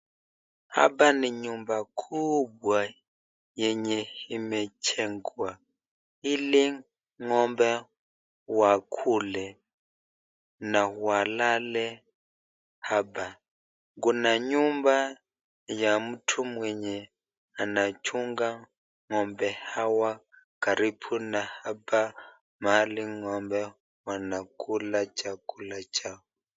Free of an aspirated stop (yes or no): no